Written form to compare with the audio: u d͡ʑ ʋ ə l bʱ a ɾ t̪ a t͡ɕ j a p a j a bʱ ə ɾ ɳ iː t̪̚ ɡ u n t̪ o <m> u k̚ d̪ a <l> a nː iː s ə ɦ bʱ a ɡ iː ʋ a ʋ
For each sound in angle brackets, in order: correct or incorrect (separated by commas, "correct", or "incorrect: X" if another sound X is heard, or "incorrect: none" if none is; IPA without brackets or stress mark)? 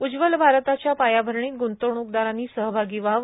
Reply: incorrect: ɳ, incorrect: ɾ